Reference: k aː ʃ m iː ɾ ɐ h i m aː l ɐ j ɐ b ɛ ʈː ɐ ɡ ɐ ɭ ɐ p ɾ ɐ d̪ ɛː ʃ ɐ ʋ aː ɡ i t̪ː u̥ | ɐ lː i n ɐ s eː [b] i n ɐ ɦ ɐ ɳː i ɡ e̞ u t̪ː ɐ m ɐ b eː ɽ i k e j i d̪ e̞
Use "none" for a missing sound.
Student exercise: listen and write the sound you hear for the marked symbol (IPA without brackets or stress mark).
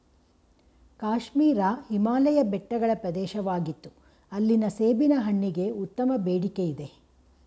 b